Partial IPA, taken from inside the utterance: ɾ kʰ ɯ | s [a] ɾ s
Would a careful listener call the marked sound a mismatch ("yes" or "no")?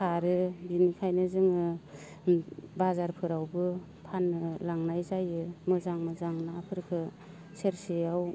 yes